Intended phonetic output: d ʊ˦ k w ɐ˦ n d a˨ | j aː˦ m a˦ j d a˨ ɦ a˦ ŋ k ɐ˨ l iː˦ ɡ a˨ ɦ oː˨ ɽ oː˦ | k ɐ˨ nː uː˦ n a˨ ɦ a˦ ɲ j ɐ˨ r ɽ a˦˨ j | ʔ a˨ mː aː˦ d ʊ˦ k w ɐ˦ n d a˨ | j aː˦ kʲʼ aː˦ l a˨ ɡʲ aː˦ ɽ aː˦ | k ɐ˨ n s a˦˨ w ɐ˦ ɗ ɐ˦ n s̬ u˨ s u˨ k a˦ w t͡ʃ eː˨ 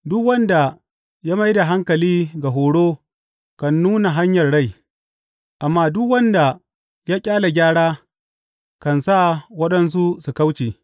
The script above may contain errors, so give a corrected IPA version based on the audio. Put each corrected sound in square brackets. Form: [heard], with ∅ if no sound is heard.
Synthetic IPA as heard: d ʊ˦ k w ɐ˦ n d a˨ | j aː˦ m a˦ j d a˨ ɦ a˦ ŋ k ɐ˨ l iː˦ ɡ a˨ ɦ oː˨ ɽ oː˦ | k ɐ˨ nː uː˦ n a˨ ɦ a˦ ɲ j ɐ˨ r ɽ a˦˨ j | ʔ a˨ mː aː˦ d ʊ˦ k w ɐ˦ n d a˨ | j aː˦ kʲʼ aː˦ l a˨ ɡʲ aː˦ ɽ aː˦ | k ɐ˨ n s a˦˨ w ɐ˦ ɗ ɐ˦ n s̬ [u˦] s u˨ k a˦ w t͡ʃ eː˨